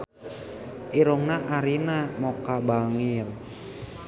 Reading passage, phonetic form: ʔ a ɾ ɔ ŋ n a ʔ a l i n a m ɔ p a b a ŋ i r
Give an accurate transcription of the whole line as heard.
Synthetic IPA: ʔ i ɾ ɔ ŋ n a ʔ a ɾ i n a m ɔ k a b a ŋ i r